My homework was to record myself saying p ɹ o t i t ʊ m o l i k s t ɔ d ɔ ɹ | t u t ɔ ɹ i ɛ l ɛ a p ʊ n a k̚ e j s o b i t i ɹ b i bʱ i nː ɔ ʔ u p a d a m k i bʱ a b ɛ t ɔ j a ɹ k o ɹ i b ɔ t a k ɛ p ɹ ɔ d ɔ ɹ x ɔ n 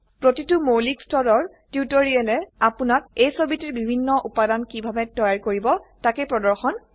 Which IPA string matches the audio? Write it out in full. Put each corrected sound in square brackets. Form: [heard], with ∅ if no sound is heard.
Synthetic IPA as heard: p ɹ o t i t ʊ m o l i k s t ɔ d ɔ ɹ | t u t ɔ ɹ i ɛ l ɛ a p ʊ n a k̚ e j s o b i t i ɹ b i bʱ i nː ɔ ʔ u p a d a [n] k i bʱ a b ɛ t ɔ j a ɹ k o ɹ i b ɔ t a k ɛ p ɹ ɔ d ɔ ɹ x ɔ n